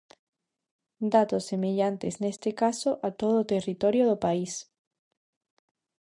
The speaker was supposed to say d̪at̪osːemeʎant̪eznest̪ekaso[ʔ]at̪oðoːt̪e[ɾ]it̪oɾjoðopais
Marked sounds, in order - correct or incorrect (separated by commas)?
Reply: correct, incorrect